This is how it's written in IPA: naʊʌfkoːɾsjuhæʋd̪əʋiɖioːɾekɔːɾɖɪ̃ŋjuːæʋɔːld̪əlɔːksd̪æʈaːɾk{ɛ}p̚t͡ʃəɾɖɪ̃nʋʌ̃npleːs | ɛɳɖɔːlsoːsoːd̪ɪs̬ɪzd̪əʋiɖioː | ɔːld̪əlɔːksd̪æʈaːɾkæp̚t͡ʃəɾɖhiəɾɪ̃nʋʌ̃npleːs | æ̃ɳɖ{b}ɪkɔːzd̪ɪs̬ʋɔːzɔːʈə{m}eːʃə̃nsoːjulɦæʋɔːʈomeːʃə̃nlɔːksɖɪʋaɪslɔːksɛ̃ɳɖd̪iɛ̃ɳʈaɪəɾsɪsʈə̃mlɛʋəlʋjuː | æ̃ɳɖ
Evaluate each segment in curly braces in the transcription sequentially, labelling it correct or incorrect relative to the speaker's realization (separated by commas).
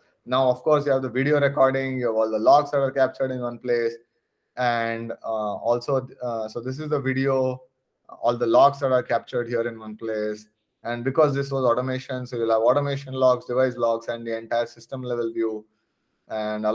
incorrect, correct, correct